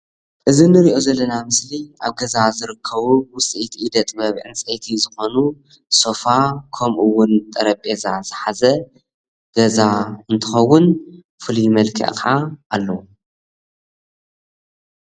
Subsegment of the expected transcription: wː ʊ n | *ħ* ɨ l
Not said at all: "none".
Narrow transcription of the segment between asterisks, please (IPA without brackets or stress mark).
f